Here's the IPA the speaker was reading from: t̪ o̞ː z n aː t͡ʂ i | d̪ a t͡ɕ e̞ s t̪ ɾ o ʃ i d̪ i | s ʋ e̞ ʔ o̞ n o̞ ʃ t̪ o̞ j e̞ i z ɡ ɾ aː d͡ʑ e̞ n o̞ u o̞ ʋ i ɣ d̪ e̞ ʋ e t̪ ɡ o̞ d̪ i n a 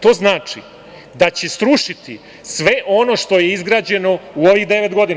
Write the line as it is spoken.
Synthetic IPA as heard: t̪ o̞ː z n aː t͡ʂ i | d̪ a t͡ɕ e̞ s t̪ ɾ u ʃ i t̪ i | s ʋ e̞ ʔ o̞ n o̞ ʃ t̪ o̞ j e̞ i z ɡ ɾ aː d͡ʑ e̞ n o̞ u o̞ ʋ i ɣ d̪ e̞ ʋ e t̪ ɡ o̞ d̪ i n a